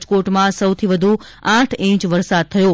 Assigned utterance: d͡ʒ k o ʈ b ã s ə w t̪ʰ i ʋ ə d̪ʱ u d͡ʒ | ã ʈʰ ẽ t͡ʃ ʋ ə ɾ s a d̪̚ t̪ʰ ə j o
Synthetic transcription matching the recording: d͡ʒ k o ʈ m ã s ə w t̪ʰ i ʋ ə d̪ʱ u | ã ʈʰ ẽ t͡ʃ ʋ ə ɾ s a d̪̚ t̪ʰ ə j o